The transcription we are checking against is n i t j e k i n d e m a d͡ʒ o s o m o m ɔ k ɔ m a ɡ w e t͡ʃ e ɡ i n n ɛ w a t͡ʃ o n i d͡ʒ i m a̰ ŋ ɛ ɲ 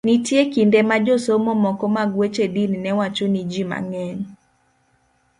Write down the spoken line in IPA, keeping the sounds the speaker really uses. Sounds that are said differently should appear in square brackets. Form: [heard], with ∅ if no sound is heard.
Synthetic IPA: n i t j e k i n d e m a d͡ʒ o s o m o m ɔ k ɔ m a ɡ w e t͡ʃ e [d] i n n ɛ w a t͡ʃ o n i d͡ʒ i m a̰ ŋ ɛ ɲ